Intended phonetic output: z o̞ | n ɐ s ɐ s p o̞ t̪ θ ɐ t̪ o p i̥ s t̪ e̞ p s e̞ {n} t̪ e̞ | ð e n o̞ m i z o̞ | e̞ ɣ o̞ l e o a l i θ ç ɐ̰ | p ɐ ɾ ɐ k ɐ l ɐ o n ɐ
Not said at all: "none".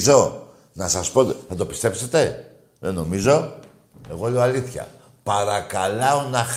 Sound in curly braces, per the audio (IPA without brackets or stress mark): none